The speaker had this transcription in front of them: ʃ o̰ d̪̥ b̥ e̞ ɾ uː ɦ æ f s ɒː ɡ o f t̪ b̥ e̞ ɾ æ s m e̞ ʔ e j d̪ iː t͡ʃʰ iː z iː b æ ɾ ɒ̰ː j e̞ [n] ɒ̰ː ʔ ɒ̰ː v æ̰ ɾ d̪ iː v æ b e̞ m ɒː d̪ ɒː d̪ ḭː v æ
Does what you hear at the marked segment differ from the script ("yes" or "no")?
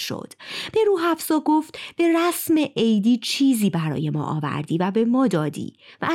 yes